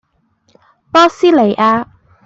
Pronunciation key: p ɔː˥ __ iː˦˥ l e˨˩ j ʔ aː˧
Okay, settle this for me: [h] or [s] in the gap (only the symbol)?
s